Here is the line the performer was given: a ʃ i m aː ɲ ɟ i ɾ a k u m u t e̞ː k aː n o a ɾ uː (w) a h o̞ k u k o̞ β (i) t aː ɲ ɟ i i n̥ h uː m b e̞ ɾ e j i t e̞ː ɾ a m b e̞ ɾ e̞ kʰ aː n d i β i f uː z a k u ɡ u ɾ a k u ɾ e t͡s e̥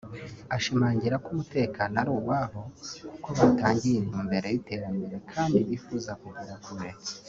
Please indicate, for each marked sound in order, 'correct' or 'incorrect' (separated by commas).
correct, incorrect